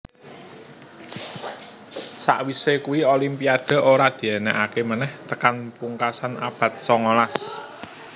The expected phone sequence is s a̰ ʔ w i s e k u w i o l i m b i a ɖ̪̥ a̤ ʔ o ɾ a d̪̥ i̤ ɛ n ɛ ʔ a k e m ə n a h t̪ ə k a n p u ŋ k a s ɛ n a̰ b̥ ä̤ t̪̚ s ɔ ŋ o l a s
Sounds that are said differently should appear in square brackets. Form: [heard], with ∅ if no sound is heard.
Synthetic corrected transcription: s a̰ ʔ w i s e k u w i o l i m [p] i a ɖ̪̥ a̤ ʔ o ɾ a d̪̥ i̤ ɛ n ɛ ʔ a k e m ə n [ɛ] h t̪ ə k a n p u ŋ k a s [a] n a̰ b̥ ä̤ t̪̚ s ɔ ŋ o l a s

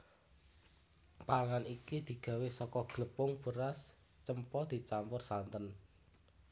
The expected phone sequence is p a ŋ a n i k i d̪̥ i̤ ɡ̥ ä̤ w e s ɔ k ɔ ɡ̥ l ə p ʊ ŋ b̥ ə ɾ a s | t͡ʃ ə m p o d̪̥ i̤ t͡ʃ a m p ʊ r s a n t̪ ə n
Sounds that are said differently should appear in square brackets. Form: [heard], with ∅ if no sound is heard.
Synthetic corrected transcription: p a ŋ a n i k i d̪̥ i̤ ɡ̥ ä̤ w e s ɔ k ɔ ɡ̥ l ə p ʊ ŋ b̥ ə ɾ a s | t͡ʃ ə m p [ɔ] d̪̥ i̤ t͡ʃ a m p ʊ r s a n t̪ ə n

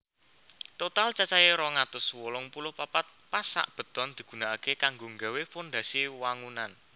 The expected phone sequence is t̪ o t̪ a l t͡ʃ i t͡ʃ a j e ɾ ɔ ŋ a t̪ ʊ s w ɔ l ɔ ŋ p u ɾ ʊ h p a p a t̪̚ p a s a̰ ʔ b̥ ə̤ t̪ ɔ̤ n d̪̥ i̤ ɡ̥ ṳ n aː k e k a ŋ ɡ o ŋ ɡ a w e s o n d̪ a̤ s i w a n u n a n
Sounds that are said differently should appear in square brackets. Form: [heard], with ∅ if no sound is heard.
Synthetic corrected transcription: t̪ o t̪ a l t͡ʃ [a] t͡ʃ a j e ɾ ɔ ŋ a t̪ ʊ s w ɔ l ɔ ŋ p u [l] ʊ h p a p a t̪̚ p a s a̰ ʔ b̥ ə̤ t̪ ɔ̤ n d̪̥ i̤ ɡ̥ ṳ n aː k e k a ŋ ɡ o ŋ ɡ a w e [f] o n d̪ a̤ s i w a [ŋ] u n a n

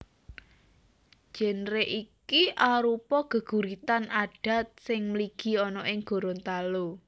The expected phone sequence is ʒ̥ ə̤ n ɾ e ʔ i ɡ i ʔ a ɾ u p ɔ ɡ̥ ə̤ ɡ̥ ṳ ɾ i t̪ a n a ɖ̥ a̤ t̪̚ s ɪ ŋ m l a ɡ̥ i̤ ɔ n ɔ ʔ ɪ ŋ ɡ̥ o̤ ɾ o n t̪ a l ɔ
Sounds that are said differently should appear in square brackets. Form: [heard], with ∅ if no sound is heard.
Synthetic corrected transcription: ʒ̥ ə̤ n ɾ e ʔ i [k] i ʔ a ɾ u p ɔ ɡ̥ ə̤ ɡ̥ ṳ ɾ i t̪ a n a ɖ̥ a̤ t̪̚ s ɪ ŋ m l [i] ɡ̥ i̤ ɔ n ɔ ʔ ɪ ŋ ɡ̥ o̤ ɾ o n t̪ a l [o]

